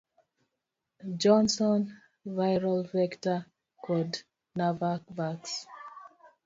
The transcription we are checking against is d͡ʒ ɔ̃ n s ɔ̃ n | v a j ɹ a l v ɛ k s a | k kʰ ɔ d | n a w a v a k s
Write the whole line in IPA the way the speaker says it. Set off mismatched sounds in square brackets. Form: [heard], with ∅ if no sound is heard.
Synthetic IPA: d͡ʒ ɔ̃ n s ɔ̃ n | v a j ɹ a l v ɛ k [t] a | k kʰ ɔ d | n a [v] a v a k s